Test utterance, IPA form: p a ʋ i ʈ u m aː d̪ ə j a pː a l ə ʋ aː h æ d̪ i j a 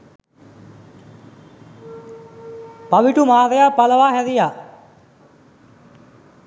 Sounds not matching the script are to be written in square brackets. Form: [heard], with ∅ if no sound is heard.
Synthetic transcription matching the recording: p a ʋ i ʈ u m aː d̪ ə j a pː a l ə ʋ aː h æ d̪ i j a